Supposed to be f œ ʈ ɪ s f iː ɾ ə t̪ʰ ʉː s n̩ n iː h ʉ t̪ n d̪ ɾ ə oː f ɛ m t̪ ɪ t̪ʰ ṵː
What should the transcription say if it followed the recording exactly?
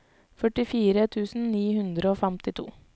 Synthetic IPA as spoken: f œ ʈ ɪ f iː ɾ ə t̪ʰ ʉː s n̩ n iː h ʉ n d̪ ɾ ə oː f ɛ m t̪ ɪ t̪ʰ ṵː

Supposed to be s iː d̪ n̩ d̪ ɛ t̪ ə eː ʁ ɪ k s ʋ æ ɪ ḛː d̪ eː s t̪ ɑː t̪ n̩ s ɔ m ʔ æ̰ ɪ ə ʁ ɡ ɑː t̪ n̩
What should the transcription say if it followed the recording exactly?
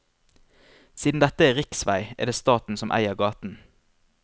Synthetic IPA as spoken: s iː d̪ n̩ d̪ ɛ t̪ ə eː ʁ ɪ k s ʋ æ ɪ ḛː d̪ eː s t̪ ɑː t̪ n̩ s ɔ m ʔ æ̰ ɪ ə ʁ ɡ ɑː t̪ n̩

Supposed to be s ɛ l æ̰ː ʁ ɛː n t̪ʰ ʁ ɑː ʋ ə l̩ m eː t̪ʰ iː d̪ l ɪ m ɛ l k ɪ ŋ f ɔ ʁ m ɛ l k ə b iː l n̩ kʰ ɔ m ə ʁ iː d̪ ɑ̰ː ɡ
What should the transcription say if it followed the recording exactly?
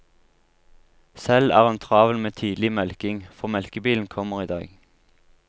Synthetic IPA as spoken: s ɛ l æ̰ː ʁ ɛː n t̪ʰ ʁ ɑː ʋ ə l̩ m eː t̪ʰ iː d̪ l ɪ m ɛ l k ɪ ŋ f ɔ ʁ m ɛ l k ə b iː l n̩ kʰ ɔ m ə ʁ iː d̪ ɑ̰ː ɡ

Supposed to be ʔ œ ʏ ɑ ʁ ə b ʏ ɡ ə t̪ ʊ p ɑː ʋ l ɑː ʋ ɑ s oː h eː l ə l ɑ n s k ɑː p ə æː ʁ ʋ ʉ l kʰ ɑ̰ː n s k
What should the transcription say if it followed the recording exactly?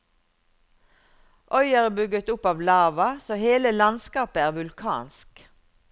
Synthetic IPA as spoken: ʔ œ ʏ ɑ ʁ ə b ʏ ɡ ə t̪ ʊ p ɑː ʋ l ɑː ʋ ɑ s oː h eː l ə l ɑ n s k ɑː p ə æː ʁ ʋ ʉ l kʰ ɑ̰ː n s k

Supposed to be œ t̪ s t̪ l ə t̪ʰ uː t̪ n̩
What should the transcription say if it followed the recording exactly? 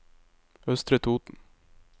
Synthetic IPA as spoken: œ s t̪ ɾ ə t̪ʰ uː t̪ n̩

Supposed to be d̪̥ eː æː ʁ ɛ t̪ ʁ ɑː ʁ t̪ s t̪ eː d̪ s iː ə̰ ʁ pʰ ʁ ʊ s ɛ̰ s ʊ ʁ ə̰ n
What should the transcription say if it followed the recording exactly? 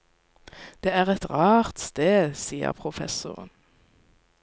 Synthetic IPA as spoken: d̪̥ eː æː ʁ ɛ t̪ ʁ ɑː ʁ t̪ s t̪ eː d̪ s iː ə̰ ʁ pʰ ʁ ʊ f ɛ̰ s ʊ ʁ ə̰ n

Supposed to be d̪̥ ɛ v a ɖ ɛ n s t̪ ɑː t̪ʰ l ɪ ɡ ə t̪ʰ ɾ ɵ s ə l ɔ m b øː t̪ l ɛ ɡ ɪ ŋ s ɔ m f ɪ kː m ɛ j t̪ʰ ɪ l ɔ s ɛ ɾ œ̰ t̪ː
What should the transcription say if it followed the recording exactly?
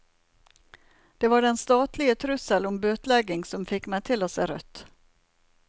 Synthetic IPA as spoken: d̪̥ ɛ v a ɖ ɛ n s t̪ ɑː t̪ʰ l ɪ ɡ ə t̪ʰ ɾ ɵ s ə l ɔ m b øː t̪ l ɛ ɡ ɪ ŋ s ɔ m f ɪ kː m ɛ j t̪ʰ ɪ l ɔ s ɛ ɾ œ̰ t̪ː

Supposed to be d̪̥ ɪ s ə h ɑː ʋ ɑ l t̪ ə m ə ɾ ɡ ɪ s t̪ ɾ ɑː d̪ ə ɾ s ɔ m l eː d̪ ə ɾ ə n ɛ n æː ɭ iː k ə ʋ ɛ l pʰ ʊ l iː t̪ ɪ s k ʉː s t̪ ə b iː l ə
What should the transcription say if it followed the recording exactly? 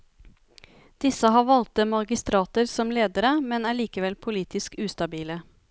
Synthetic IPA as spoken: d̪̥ ɪ s ə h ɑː ʋ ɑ l t̪ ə m ɑ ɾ ɡ ɪ s t̪ ɾ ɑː t̪ ə ɾ s ɔ m l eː d̪ ə ɾ ə m ɛ n æː ɭ iː k ə ʋ ɛ l pʰ ʊ l iː t̪ ɪ s k ʉː s t̪ ɑ b iː l ə

